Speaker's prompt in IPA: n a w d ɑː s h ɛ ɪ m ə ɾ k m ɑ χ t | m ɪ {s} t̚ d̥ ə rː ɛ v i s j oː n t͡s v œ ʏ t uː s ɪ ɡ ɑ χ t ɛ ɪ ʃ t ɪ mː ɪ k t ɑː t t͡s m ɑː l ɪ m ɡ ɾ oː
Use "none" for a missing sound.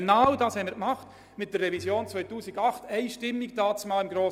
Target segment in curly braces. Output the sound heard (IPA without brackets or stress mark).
none